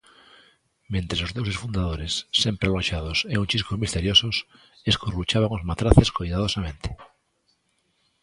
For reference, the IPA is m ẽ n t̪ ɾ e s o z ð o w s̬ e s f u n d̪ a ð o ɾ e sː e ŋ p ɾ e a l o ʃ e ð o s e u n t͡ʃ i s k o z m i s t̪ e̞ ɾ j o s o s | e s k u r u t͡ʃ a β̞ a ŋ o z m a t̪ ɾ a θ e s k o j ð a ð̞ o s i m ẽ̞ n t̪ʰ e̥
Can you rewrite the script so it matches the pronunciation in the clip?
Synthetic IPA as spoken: m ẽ n t̪ ɾ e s o z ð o w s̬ e s f u n d̪ a ð o ɾ e sː e m p ɾ e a l o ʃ a ð o s e u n t͡ʃ i s k o z m i s t̪ e̞ ɾ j o s o s | e s k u r u t͡ʃ a β̞ a ŋ o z m a t̪ ɾ a θ e s k o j ð a ð̞ o s a m ẽ̞ n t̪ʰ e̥